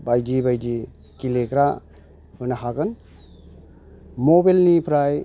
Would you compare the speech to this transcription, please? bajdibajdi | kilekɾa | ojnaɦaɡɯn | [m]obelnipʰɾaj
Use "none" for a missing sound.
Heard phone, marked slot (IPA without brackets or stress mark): m